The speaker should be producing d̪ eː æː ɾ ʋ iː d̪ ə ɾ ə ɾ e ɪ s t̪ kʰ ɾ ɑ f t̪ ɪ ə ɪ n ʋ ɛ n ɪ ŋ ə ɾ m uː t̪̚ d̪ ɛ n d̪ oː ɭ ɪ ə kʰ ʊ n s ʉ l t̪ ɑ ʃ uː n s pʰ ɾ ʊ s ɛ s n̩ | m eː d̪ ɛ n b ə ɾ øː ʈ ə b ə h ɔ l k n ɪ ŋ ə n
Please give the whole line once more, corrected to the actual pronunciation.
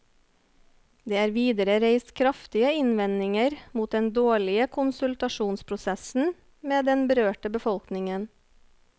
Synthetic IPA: d̪ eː æː ɾ ʋ iː d̪ ə ɾ ə ɾ e ɪ s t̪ kʰ ɾ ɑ f t̪ ɪ ə ɪ n ʋ ɛ n ɪ ŋ ə ɾ m uː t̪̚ d̪ ɛ n d̪ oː ɭ ɪ ə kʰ ʊ n s ʉ l t̪ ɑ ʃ uː n s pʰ ɾ ʊ s ɛ s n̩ | m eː d̪ ɛ n b ə ɾ øː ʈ ə b ə f ɔ l k n ɪ ŋ ə n